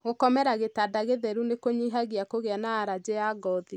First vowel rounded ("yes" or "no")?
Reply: yes